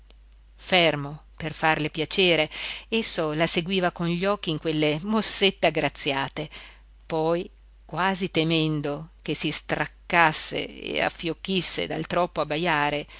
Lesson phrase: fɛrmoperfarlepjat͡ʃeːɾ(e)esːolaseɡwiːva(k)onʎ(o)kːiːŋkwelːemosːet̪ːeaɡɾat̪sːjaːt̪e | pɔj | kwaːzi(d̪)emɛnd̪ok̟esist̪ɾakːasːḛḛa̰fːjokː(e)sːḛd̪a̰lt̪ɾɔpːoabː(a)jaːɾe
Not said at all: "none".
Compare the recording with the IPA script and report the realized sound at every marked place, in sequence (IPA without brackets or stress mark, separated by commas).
e, k, ɔ, t̪, i, a